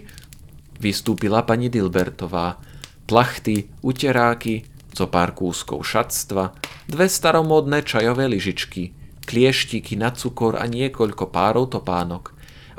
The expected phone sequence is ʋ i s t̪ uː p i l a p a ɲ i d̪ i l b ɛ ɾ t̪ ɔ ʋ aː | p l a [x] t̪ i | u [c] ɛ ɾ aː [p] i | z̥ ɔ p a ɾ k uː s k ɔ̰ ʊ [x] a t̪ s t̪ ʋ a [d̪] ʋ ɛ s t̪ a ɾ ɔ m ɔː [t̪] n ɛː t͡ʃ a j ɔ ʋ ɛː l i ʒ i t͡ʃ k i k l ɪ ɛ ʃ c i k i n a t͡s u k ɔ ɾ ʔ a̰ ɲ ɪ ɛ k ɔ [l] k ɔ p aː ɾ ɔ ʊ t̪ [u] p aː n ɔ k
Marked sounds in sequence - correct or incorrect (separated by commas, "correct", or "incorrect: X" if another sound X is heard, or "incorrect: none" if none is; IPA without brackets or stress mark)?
correct, correct, incorrect: k, incorrect: ʃ, correct, incorrect: d̪, incorrect: ʎ, incorrect: ɔ